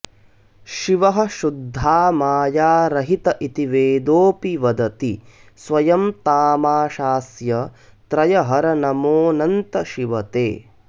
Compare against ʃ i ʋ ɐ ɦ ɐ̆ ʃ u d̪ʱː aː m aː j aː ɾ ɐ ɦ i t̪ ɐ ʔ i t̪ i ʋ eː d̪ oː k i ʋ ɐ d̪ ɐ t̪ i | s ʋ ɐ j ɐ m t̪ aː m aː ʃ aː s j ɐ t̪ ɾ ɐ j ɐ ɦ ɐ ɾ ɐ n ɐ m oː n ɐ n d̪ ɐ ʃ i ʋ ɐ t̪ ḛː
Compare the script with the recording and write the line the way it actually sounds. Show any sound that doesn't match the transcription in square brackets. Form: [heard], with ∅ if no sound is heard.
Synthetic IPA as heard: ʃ i ʋ ɐ ɦ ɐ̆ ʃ u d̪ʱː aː m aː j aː ɾ ɐ ɦ i t̪ ɐ ʔ i t̪ i ʋ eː d̪ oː [p] i ʋ ɐ d̪ ɐ t̪ i | s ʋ ɐ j ɐ m t̪ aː m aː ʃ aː s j ɐ t̪ ɾ ɐ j ɐ ɦ ɐ ɾ ɐ n ɐ m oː n ɐ n [t̪] ɐ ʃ i ʋ ɐ t̪ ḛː